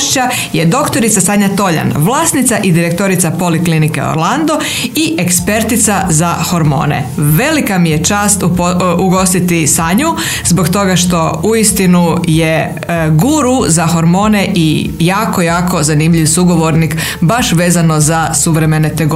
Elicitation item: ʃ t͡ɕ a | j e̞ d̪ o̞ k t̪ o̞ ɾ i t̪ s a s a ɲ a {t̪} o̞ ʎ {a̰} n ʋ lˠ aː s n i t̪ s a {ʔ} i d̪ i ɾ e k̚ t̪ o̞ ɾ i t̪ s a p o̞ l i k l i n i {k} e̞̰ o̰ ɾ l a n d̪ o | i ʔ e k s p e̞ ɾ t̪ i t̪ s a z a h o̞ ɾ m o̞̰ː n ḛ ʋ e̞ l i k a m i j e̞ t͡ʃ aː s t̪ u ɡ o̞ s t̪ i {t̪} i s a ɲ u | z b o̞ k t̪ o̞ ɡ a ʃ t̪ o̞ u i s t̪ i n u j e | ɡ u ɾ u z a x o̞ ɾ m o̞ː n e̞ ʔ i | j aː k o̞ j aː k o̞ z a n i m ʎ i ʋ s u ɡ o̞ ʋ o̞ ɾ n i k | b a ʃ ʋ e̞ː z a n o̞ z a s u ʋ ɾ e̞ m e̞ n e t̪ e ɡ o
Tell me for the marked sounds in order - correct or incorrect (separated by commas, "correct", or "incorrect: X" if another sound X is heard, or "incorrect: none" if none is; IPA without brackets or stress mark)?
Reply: correct, correct, correct, correct, correct